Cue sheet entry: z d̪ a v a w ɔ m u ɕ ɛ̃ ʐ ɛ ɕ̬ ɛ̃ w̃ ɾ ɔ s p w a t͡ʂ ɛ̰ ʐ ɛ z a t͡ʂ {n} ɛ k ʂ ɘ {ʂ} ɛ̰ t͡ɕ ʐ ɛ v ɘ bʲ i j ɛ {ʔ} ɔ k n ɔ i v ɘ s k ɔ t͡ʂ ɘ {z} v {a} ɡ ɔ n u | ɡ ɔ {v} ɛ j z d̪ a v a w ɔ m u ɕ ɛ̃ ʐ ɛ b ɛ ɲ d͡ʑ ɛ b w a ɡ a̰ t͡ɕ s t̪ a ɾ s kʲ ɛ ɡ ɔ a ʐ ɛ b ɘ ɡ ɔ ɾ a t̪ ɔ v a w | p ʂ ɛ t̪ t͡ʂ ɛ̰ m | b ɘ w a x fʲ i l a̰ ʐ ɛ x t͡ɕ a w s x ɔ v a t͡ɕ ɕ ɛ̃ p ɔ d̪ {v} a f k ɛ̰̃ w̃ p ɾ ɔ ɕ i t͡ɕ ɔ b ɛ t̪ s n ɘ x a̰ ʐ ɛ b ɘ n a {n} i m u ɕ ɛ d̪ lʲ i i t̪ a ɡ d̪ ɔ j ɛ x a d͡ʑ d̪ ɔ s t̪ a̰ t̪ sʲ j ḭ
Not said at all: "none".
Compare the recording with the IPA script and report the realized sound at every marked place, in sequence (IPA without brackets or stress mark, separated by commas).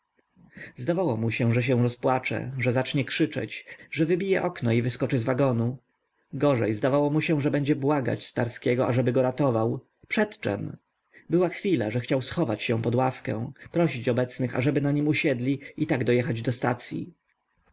ɲ, t͡ʂ, ʔ, z, a, ʐ, w, ɲ